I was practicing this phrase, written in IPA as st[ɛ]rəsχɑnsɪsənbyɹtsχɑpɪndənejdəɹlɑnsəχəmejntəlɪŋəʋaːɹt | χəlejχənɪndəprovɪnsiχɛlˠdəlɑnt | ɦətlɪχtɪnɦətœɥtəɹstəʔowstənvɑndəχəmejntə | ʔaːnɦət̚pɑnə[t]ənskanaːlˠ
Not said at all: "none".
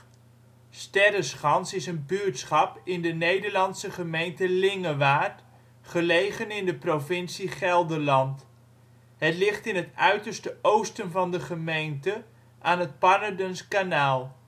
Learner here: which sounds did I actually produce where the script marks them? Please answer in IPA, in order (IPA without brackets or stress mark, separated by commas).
ɛ, d